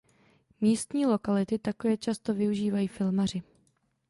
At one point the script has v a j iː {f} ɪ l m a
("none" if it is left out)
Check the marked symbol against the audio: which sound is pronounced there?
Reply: f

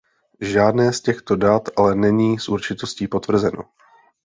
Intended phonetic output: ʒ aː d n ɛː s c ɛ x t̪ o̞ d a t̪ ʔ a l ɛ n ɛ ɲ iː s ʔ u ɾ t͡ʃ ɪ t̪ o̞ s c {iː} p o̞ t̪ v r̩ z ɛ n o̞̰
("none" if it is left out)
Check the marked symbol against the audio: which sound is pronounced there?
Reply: iː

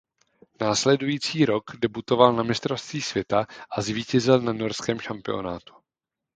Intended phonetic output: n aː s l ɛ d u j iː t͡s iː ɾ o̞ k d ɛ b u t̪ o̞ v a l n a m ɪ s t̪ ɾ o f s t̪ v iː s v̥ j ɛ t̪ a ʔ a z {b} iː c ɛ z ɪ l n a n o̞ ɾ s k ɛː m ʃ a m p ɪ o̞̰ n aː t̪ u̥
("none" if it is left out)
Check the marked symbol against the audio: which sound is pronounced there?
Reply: v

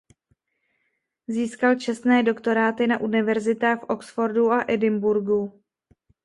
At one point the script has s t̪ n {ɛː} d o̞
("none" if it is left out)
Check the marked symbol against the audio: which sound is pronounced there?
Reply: ɛː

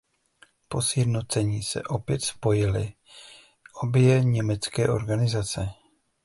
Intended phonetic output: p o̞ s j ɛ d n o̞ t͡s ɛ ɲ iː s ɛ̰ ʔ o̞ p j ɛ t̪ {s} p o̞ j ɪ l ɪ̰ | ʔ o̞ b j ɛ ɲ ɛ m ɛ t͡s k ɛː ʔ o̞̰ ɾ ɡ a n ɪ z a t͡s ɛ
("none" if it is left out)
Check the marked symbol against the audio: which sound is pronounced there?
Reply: s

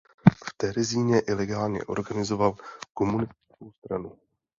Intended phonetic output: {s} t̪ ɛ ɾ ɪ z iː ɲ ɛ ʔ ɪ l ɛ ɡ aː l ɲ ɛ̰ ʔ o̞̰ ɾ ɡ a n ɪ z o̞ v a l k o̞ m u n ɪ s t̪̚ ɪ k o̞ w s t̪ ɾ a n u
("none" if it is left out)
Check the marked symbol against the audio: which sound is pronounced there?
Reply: f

